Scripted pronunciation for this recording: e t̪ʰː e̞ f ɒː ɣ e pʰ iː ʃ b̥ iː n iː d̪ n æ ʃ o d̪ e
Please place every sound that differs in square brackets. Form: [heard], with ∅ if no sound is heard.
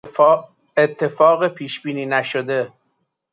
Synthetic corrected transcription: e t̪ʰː e̞ f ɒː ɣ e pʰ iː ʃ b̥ iː n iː [∅] n æ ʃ o d̪ e

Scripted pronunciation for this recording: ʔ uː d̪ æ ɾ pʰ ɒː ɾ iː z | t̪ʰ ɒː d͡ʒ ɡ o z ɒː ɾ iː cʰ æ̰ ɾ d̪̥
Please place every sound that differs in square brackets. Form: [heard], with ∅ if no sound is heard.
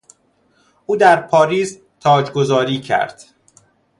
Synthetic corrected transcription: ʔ uː d̪ æ ɾ pʰ ɒː ɾ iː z | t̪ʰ ɒː d͡ʒ ɡ o z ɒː ɾ iː cʰ æ̰ ɾ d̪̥

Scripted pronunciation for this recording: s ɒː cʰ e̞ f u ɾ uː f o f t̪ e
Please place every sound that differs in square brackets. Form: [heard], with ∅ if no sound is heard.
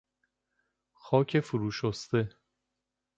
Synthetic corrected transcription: [x] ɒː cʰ e̞ f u ɾ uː [ʃ] o [s] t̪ e

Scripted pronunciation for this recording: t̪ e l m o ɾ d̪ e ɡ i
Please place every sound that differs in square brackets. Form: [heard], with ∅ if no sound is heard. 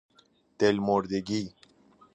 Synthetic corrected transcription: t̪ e l m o ɾ d̪ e ɡ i

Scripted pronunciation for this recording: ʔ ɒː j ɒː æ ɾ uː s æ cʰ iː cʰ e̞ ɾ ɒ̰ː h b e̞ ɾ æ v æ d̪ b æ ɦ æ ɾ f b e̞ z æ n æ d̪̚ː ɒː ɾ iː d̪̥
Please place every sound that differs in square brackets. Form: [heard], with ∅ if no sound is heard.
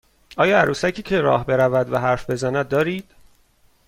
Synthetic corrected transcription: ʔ ɒː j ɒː æ ɾ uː s æ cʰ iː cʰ e̞ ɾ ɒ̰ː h b e̞ ɾ æ v æ d̪ [v] æ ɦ æ ɾ f b e̞ z æ n æ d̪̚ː ɒː ɾ iː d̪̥

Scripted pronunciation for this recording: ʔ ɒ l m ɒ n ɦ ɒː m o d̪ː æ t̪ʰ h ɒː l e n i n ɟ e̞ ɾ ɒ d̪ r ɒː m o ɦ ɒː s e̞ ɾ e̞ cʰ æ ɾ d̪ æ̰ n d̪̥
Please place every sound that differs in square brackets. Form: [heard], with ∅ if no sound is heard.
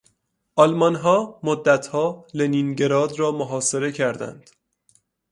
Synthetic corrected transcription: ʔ ɒ l m ɒ n ɦ ɒː m o d̪ː æ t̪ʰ h ɒː l e n i n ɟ e̞ ɾ [ɒː] d̪ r ɒː m o ɦ ɒː s e̞ ɾ e̞ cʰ æ ɾ d̪ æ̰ n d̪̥

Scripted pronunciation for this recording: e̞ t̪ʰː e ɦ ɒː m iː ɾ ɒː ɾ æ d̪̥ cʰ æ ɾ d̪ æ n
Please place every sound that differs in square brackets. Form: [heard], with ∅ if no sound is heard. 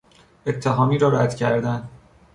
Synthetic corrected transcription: e̞ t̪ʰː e ɦ ɒː m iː ɾ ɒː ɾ æ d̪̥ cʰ æ ɾ d̪ æ n

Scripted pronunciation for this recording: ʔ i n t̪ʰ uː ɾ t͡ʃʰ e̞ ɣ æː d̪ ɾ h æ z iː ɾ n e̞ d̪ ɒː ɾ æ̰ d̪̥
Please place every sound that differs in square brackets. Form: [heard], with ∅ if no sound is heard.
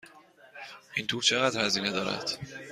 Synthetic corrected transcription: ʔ i n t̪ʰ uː ɾ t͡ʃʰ e̞ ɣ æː d̪ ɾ h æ z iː [∅] n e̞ d̪ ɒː ɾ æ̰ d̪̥

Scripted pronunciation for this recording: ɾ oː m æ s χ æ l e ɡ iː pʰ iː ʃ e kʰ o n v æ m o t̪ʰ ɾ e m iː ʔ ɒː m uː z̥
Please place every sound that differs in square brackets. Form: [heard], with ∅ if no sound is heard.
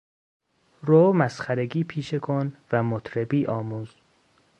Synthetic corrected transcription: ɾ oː m æ s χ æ [ɾ] e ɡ iː pʰ iː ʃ e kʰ o n v æ m o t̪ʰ ɾ e [b] iː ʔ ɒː m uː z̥

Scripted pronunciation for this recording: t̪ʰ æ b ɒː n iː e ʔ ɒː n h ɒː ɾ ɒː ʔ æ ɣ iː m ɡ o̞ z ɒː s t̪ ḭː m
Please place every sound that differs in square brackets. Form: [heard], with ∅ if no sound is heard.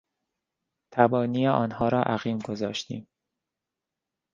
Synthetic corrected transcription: t̪ʰ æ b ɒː n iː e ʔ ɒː n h ɒː ɾ ɒː ʔ æ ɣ iː m ɡ o̞ z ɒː [ʃ] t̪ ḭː m

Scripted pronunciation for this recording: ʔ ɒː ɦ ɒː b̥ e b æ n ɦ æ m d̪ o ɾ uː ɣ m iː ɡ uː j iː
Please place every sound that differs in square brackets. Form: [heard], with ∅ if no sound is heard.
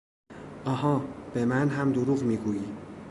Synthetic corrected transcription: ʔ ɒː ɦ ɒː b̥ e [m] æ n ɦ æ m d̪ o ɾ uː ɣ m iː ɡ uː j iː

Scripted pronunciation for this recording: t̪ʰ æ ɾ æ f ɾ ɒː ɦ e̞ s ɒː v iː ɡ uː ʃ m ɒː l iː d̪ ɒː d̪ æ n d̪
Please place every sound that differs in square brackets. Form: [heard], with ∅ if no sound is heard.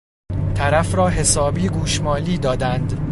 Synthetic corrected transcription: t̪ʰ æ ɾ æ f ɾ ɒː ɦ e̞ s ɒː [b] iː ɡ uː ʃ m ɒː l iː d̪ ɒː d̪ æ n d̪

